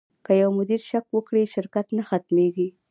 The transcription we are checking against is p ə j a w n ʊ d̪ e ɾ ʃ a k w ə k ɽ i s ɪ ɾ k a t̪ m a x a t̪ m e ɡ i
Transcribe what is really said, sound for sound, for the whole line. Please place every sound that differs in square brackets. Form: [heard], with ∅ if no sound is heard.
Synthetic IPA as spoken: [k] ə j a w [m] ʊ d̪ [i] ɾ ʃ a k w ə k ɽ i [ʃ] ɪ ɾ k a t̪ [n] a x a t̪ m e ɡ i

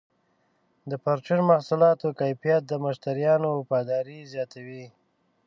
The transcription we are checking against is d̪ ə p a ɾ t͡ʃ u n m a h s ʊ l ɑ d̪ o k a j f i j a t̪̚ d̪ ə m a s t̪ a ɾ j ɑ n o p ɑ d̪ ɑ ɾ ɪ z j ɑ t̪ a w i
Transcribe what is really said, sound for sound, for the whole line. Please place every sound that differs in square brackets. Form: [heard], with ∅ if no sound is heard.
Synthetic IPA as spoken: d̪ ə p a ɾ t͡ʃ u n m a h s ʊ l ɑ [t̪] o k a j f i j a t̪̚ d̪ ə m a [ʃ] t̪ a ɾ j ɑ n o p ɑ d̪ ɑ ɾ [i] z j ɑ t̪ a w i

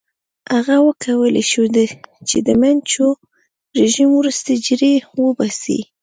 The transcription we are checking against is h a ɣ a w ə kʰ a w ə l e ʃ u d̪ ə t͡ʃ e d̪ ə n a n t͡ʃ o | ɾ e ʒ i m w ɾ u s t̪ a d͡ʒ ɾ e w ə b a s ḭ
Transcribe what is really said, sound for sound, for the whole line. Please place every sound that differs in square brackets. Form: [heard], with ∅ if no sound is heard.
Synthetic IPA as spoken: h a ɣ a w ə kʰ a w ə l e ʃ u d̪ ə t͡ʃ e d̪ ə [m] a n t͡ʃ o | ɾ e ʒ i m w ɾ u s t̪ a d͡ʒ ɾ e w ə b a s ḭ

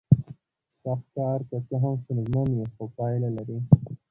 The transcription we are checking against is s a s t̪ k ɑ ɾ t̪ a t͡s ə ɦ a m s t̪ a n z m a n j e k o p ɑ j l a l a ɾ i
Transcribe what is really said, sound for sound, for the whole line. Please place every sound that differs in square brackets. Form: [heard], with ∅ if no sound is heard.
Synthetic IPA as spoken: s a [x] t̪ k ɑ ɾ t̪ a t͡s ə ɦ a m s t̪ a n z m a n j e [x] o p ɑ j l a l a ɾ i

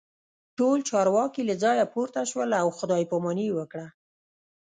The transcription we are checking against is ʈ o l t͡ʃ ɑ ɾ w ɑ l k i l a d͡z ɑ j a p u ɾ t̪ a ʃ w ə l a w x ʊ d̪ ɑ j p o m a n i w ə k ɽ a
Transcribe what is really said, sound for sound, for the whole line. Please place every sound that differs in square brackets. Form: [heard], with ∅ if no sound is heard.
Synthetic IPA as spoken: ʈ o l t͡ʃ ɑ ɾ w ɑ [∅] k i l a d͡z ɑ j a p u ɾ t̪ a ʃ w ə l a w x ʊ d̪ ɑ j p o m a n i w ə k ɽ a

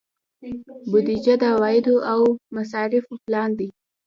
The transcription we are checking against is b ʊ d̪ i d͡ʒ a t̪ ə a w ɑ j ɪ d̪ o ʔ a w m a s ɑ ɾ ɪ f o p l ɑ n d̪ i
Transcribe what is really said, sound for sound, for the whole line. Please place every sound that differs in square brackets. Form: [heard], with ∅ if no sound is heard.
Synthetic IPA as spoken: b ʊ d̪ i d͡ʒ a [d̪] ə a w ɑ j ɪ d̪ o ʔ a w m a s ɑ ɾ ɪ f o p l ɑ n d̪ i

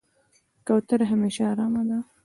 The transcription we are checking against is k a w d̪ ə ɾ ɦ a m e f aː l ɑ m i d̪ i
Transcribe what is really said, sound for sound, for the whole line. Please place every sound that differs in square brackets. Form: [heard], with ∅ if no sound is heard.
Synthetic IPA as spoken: k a w [t̪] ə ɾ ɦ a m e [ʃ] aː [ɾ] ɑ m [a] d̪ [a]

